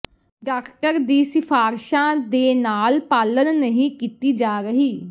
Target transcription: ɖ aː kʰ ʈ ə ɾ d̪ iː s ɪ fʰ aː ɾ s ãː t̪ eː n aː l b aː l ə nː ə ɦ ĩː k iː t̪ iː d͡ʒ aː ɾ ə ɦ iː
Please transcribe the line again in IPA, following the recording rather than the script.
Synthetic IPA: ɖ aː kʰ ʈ ə ɾ d̪ iː s ɪ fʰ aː ɾ ʃ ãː d̪ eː n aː l p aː l ə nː ə ɦ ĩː k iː t̪ iː d͡ʒ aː ɾ ə ɦ iː

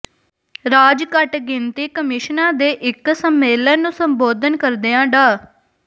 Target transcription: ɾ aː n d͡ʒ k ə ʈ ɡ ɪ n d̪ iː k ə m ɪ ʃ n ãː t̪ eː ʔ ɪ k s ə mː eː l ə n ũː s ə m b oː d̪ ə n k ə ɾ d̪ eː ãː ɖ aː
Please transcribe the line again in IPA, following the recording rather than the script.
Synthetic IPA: ɾ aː d͡ʒ k ə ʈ ɡ ɪ n t̪ iː k ə m ɪ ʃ n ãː d̪ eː ʔ ɪ k s ə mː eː l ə n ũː s ə m b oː d̪ ə n k ə ɾ d̪ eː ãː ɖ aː

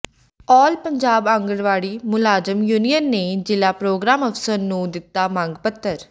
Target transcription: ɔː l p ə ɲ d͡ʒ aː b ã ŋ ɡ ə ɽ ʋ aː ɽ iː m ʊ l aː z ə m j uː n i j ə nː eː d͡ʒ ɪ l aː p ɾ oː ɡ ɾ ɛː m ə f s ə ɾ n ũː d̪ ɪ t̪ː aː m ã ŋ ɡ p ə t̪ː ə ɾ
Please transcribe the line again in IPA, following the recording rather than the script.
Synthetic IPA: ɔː l p ə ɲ d͡ʒ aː b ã ŋ ɡ ə ɽ ʋ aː ɽ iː m ʊ l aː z ə m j uː n i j ə nː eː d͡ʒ ɪ l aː p ɾ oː ɡ ɾ aː m ə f s ə ɾ n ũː d̪ ɪ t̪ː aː m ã ŋ ɡ p ə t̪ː ə ɾ

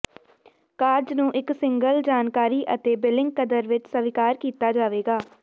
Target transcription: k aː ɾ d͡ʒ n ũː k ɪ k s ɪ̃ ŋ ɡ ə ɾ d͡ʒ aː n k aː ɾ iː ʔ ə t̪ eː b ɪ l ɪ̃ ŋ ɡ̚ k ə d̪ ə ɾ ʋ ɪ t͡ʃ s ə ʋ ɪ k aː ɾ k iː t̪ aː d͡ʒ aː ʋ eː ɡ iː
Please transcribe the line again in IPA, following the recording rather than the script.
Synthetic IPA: k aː ɾ d͡ʒ n ũː ʔ ɪ k s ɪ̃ ŋ ɡ ə l d͡ʒ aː n k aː ɾ iː ʔ ə t̪ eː b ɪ l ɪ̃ ŋ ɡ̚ k ə d̪ ə ɾ ʋ ɪ t͡ʃ s ə ʋ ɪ k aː ɾ k iː t̪ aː d͡ʒ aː ʋ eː ɡ aː

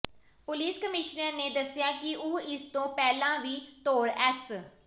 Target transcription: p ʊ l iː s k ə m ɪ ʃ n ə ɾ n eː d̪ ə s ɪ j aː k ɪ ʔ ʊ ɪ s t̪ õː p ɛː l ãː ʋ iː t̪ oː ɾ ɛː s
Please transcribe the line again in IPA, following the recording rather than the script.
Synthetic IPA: p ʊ l iː s k ə m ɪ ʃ n ə ɾ n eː d̪ ə s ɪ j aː k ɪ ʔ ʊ ɪ s t̪ õː p ɛː l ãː ʋ iː t̪ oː ɾ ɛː s

